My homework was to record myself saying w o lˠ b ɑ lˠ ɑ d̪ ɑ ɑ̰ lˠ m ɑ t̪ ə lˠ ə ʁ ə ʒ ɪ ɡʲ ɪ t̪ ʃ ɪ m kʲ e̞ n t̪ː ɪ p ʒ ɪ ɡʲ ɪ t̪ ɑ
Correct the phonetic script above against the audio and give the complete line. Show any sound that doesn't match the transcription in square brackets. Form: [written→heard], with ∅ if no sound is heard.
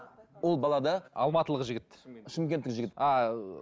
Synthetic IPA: w o lˠ b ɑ lˠ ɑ d̪ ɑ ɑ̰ lˠ m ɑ t̪ ə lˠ ə ʁ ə ʒ ɪ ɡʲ ɪ t̪ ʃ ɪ m kʲ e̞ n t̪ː ɪ [p→k] ʒ ɪ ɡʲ ɪ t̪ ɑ

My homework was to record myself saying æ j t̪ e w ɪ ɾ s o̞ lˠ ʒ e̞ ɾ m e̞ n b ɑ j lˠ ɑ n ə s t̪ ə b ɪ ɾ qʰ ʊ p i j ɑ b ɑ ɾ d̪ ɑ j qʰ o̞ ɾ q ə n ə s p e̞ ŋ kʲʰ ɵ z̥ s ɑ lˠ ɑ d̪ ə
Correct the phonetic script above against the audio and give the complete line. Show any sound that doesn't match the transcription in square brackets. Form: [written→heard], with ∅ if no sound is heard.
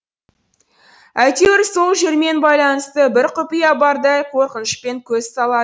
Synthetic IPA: æ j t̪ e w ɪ ɾ s o̞ lˠ ʒ e̞ ɾ m e̞ n b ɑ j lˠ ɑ n ə s t̪ ə b ɪ ɾ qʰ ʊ p i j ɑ b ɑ ɾ d̪ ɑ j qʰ o̞ ɾ q ə n ə [s→ʃ] p e̞ ŋ kʲʰ ɵ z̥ s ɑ lˠ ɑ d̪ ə

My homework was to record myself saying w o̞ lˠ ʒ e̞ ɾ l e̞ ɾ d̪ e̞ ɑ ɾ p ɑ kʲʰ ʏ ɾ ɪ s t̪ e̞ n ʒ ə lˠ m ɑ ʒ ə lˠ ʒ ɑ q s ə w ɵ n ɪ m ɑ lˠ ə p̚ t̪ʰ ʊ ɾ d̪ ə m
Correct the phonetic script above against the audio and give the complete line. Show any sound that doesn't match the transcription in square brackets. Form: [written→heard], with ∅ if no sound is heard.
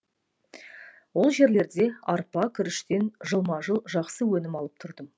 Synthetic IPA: w o̞ lˠ ʒ e̞ ɾ l e̞ ɾ d̪ e̞ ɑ ɾ p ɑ kʲʰ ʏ ɾ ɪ [s→ʃ] t̪ e̞ n ʒ ə lˠ m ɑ ʒ ə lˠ ʒ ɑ q s ə w ɵ n ɪ m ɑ lˠ ə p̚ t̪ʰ ʊ ɾ d̪ ə m

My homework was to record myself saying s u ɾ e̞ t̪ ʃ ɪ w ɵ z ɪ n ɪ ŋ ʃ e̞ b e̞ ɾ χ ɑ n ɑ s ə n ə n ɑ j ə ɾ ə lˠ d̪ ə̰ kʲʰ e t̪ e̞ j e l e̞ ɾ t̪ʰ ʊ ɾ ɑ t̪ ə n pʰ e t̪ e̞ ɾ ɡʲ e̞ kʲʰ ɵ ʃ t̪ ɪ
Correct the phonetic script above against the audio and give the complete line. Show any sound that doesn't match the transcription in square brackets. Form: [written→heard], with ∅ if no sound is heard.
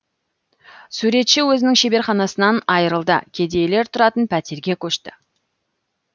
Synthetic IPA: s u ɾ e̞ t̪ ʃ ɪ w ɵ z ɪ n ɪ ŋ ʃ e̞ b e̞ ɾ χ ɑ n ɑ s ə n [ə→ɑ] n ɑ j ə ɾ ə lˠ d̪ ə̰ kʲʰ e [t̪→d̪] e̞ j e l e̞ ɾ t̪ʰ ʊ ɾ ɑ t̪ ə n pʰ [e→æ] t̪ e̞ ɾ ɡʲ e̞ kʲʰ ɵ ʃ t̪ ɪ

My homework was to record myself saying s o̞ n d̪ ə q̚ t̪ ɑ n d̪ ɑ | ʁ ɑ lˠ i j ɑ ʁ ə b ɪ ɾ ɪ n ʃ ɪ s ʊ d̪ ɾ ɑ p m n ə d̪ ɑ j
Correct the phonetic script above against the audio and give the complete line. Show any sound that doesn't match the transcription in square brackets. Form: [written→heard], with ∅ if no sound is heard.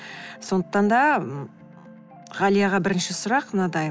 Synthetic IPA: s o̞ n d̪ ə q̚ t̪ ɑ n d̪ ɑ | ʁ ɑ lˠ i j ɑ ʁ [ə→ɑ] b ɪ ɾ ɪ n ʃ ɪ s ʊ [d̪→∅] ɾ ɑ [p→q] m n [ə→ɑ] d̪ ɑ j

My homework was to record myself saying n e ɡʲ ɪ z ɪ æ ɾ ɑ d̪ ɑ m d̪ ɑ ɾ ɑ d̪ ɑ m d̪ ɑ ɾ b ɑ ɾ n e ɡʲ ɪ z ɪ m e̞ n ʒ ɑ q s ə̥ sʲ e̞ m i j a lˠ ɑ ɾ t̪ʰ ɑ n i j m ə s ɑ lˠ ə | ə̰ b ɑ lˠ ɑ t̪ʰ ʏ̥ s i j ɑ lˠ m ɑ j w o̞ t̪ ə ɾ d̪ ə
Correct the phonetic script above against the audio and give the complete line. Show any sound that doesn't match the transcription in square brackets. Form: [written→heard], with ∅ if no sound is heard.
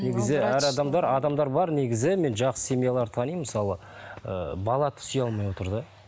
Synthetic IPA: n e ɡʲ ɪ z ɪ æ ɾ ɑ d̪ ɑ m d̪ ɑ ɾ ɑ d̪ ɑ m d̪ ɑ ɾ b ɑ ɾ n e ɡʲ ɪ z ɪ m e̞ n ʒ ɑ q s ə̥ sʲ e̞ m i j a lˠ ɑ ɾ t̪ʰ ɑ n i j m ə s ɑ lˠ ə | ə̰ b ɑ lˠ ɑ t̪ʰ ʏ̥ s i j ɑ lˠ m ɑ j w o̞ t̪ ə ɾ d̪ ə

